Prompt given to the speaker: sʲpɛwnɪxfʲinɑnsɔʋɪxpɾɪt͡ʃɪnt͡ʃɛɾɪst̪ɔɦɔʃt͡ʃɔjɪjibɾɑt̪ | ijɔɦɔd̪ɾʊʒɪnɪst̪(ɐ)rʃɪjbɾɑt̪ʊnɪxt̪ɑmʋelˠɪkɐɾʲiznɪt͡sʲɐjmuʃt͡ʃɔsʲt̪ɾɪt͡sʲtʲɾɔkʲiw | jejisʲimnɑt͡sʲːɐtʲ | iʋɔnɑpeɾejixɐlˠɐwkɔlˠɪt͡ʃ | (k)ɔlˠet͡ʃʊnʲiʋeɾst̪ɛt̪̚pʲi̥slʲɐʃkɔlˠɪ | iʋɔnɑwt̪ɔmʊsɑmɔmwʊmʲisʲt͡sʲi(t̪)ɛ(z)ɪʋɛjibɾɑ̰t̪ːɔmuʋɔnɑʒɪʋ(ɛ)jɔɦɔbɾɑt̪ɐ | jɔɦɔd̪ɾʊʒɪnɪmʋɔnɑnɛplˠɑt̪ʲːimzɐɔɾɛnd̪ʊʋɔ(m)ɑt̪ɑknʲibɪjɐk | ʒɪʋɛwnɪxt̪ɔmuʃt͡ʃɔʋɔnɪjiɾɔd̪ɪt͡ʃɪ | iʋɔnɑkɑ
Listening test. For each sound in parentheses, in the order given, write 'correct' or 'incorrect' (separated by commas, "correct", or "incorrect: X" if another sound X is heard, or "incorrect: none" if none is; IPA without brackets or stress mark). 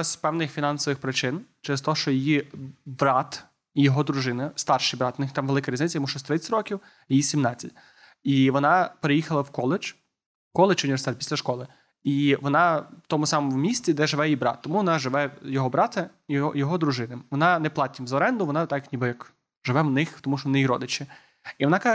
incorrect: ɑ, correct, incorrect: d̪, incorrect: ʒ, correct, incorrect: n